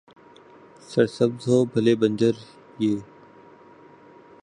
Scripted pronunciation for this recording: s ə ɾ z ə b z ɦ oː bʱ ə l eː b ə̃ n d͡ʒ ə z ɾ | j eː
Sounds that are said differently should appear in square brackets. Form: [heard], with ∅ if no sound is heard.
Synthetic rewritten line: s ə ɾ [s] ə b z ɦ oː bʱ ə l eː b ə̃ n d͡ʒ ə [∅] ɾ | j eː